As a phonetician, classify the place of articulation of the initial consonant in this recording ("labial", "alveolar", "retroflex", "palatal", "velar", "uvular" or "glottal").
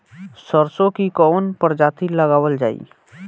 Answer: alveolar